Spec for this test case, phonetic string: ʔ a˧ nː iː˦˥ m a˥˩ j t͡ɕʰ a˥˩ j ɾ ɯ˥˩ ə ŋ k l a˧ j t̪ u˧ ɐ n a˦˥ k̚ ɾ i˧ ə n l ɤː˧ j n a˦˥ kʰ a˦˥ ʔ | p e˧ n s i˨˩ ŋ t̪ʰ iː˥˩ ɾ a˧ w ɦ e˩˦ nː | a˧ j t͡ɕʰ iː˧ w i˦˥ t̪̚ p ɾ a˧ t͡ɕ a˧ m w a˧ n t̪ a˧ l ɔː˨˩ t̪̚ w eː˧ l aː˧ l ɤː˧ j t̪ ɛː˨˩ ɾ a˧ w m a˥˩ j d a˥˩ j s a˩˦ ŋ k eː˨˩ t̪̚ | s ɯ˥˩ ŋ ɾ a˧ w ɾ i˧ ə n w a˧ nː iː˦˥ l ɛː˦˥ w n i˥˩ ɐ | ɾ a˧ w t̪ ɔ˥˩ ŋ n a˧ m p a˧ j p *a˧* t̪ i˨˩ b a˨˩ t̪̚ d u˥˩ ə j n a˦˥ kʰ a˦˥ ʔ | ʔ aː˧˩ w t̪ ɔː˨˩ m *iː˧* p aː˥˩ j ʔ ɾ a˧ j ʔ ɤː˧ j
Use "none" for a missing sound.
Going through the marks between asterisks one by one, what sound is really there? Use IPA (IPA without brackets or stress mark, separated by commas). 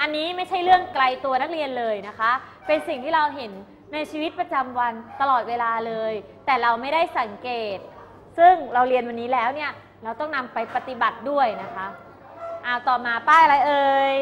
a˧, aː˧